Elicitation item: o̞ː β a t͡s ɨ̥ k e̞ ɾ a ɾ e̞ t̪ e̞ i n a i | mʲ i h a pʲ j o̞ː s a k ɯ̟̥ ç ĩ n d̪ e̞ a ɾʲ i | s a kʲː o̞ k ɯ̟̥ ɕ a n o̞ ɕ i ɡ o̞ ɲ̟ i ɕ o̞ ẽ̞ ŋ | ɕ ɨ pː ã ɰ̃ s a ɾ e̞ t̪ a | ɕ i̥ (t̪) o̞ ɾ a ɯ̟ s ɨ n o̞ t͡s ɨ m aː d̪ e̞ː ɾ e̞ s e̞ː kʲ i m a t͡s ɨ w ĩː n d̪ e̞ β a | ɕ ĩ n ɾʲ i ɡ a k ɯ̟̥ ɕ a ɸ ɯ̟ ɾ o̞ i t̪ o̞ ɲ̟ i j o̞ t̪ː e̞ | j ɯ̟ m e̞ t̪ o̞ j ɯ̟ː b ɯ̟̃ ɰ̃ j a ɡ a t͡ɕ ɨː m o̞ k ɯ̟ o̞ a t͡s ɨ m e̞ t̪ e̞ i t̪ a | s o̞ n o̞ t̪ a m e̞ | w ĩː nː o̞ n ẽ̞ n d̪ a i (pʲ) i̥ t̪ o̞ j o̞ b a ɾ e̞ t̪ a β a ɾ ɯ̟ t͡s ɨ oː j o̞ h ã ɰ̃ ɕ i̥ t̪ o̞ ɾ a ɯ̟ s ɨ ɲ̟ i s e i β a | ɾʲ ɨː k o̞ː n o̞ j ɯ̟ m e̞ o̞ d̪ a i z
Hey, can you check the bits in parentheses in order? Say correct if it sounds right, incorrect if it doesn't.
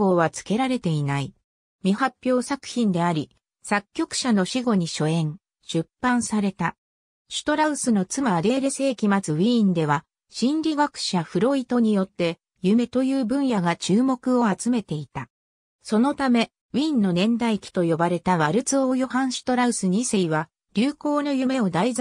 correct, incorrect: kʲ

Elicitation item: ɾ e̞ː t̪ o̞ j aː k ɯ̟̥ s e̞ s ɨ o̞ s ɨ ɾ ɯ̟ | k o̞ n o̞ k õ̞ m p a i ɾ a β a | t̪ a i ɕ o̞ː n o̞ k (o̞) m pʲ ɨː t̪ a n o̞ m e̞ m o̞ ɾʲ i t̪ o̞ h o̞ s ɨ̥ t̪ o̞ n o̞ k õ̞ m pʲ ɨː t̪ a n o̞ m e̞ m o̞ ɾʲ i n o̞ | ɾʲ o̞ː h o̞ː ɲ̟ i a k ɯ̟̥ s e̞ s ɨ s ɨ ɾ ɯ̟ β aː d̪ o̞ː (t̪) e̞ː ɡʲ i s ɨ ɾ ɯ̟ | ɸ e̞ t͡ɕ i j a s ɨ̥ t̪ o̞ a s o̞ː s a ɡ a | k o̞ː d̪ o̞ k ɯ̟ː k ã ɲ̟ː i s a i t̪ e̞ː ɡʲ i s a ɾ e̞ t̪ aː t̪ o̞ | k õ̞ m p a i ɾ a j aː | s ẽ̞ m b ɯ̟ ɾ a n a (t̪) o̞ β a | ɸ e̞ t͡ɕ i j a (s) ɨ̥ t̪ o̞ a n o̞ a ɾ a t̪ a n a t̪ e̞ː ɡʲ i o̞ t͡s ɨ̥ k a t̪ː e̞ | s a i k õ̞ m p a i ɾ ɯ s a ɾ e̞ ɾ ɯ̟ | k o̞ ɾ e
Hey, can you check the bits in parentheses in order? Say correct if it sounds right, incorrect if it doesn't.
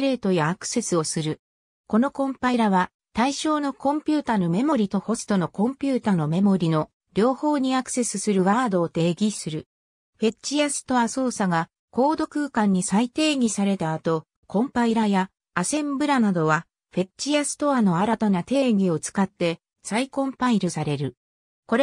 incorrect: õ̞, correct, incorrect: d̪, correct

